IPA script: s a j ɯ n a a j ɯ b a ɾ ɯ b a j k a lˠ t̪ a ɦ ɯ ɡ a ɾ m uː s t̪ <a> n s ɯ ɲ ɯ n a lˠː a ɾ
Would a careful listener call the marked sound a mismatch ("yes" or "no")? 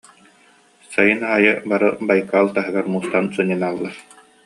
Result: no